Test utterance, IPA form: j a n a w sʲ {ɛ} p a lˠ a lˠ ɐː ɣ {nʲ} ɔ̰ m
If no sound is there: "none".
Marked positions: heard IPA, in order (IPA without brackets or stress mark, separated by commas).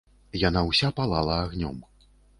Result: a, nʲ